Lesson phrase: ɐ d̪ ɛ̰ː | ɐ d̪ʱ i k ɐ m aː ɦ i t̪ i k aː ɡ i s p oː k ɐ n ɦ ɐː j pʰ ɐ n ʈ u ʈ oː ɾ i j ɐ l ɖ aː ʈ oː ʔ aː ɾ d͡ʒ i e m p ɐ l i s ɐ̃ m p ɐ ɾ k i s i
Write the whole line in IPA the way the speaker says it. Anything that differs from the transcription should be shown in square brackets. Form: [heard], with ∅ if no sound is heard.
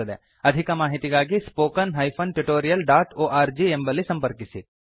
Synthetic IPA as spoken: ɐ d̪ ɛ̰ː | ɐ d̪ʱ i k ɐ m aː ɦ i t̪ i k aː ɡ i s p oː k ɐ n ɦ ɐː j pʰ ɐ n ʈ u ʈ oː ɾ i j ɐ l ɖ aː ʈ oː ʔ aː ɾ d͡ʒ i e m [b] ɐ l i s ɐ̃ m p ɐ ɾ k i s i